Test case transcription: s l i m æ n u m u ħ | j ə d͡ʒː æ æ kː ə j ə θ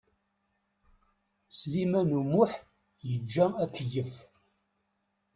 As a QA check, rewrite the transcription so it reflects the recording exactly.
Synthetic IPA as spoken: s l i m æ n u m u ħ | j ə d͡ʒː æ æ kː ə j ə f